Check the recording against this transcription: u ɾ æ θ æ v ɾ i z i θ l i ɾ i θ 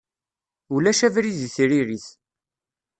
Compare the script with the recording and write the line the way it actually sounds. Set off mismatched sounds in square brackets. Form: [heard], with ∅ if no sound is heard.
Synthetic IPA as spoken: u [l] æ [ʃ] æ v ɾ i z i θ [ɾ] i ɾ i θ